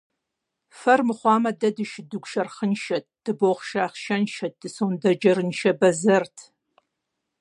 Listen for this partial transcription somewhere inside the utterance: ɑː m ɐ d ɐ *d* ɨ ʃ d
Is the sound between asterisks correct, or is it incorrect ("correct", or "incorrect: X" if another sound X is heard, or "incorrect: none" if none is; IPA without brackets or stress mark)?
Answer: correct